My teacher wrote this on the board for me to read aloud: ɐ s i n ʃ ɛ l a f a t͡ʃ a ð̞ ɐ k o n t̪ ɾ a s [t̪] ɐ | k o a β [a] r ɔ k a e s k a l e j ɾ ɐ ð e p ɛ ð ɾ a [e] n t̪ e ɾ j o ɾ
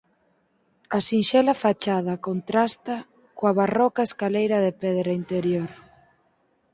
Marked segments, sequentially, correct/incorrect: correct, correct, incorrect

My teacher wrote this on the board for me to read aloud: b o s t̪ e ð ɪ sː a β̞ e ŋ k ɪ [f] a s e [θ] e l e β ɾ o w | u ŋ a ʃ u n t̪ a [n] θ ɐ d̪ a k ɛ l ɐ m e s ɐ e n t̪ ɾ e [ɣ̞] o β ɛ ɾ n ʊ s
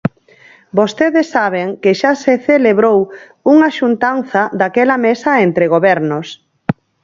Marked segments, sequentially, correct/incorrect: incorrect, correct, correct, correct

